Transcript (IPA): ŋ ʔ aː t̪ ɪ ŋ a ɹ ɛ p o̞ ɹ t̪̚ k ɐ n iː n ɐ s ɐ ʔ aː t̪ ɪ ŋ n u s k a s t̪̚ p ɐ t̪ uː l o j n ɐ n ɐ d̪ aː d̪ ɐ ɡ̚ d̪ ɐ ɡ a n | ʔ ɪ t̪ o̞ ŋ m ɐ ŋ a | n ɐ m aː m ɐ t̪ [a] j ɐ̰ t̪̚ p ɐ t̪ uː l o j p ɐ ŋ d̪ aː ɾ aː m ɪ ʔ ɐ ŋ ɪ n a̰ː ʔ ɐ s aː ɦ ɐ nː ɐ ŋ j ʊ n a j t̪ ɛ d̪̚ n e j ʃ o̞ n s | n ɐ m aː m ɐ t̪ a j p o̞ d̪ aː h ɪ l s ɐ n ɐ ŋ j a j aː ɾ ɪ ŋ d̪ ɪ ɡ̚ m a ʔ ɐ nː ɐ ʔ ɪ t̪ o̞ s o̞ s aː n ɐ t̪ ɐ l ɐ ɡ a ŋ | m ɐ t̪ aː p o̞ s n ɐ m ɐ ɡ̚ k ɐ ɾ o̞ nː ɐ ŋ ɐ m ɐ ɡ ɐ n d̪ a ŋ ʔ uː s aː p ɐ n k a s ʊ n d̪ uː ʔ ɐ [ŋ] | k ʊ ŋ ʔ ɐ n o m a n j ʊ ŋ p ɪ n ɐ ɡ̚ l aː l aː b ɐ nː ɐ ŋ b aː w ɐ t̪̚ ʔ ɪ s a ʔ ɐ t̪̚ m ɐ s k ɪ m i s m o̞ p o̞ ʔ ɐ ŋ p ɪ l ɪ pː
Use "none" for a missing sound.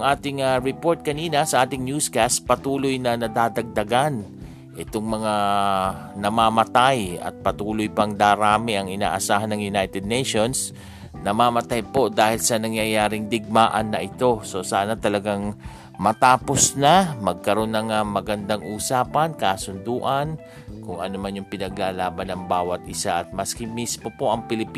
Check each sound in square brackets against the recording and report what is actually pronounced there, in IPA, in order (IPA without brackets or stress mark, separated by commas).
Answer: a, n